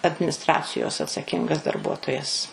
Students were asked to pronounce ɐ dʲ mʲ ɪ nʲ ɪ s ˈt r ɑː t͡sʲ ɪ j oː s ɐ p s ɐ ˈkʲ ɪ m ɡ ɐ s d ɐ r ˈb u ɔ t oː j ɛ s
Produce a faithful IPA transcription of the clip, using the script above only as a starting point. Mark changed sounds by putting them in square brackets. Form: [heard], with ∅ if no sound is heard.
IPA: ɐ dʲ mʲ ɪ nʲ ɪ s ˈt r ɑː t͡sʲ ɪ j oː s ɐ [t] s ɐ ˈkʲ ɪ [ŋ] ɡ ɐ s d ɐ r ˈb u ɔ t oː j ɛ s